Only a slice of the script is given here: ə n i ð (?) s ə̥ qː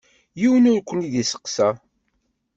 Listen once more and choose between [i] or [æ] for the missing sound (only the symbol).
i